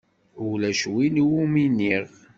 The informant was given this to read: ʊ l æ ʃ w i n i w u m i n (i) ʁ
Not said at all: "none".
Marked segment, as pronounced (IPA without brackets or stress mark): i